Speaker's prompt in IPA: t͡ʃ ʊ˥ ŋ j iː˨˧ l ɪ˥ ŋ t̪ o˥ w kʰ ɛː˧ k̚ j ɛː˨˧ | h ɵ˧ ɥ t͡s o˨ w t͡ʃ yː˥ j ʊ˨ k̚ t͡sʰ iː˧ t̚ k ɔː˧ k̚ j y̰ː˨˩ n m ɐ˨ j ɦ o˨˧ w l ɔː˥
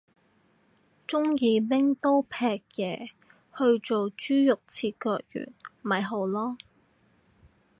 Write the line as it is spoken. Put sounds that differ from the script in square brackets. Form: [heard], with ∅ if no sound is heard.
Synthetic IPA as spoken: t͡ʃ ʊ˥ ŋ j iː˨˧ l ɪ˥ ŋ t̪ o˥ w [pʰ] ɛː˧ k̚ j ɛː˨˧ | h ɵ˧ ɥ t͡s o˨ w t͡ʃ yː˥ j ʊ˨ k̚ t͡sʰ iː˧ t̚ k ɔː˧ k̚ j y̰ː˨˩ n m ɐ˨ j ɦ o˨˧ w l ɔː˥